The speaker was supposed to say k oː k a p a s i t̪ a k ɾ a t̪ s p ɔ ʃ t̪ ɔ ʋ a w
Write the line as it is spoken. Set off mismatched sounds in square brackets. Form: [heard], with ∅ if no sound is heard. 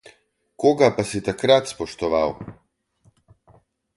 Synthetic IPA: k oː [ɡ] a p a s i t̪ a k ɾ a t̪ s p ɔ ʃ t̪ ɔ ʋ a w